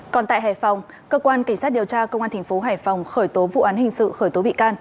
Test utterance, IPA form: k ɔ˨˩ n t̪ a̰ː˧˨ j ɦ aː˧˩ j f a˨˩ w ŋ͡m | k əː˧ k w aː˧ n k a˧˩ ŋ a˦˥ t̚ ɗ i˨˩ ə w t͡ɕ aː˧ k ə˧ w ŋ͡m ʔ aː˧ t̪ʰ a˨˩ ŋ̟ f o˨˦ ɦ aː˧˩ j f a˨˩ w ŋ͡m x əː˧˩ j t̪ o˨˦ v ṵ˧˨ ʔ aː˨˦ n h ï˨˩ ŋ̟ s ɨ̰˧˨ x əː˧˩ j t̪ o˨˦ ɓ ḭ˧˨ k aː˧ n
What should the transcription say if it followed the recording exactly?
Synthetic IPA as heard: k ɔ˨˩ n t̪ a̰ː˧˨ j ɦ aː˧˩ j f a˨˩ w ŋ͡m | k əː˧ k w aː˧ n k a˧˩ ŋ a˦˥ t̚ ɗ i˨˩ ə w t͡ɕ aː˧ k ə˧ w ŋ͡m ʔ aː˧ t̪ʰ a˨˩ ŋ̟ f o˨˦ ɦ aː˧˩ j f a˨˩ w ŋ͡m x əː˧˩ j t̪ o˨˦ v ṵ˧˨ ʔ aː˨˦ n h ï˨˩ ŋ̟ s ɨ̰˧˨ x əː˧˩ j t̪ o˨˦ ɓ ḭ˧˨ k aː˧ n